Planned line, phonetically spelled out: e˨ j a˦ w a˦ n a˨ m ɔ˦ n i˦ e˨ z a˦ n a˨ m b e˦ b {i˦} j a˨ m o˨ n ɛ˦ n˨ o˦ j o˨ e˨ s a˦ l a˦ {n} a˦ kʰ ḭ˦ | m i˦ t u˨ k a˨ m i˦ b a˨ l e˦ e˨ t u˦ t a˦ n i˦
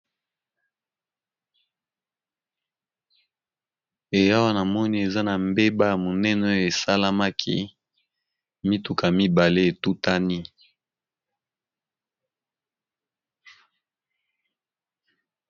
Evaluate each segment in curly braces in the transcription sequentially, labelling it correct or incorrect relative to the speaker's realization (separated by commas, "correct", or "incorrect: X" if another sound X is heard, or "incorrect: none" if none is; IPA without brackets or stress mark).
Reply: incorrect: a˦, incorrect: m